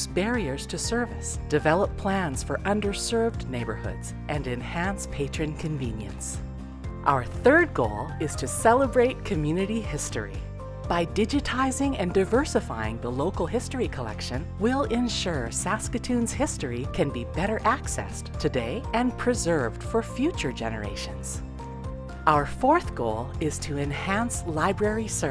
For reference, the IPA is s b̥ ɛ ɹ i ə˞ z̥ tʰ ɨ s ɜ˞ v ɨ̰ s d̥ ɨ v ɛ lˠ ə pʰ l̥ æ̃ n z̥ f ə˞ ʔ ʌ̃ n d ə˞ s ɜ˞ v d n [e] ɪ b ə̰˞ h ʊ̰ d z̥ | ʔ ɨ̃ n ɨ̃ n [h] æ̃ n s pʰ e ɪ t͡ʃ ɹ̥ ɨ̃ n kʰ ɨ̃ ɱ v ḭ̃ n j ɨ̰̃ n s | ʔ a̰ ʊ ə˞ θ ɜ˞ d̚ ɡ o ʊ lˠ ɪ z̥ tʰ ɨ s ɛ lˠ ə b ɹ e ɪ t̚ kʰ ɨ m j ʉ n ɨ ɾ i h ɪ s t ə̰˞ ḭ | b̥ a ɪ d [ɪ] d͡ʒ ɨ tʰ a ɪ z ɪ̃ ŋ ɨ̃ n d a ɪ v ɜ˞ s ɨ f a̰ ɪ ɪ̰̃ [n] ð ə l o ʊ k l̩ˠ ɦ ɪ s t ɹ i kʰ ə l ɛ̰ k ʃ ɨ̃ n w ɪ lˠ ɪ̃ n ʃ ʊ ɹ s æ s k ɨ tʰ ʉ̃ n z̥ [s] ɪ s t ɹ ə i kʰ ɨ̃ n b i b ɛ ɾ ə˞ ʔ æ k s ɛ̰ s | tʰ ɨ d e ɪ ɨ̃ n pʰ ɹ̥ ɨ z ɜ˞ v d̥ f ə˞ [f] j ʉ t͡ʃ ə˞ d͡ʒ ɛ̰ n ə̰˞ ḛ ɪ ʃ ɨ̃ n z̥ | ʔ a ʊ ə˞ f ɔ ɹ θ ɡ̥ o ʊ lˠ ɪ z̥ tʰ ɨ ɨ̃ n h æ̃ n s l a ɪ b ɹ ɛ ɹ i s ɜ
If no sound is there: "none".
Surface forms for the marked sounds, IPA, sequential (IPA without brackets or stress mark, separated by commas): e, h, ɪ, ŋ, h, f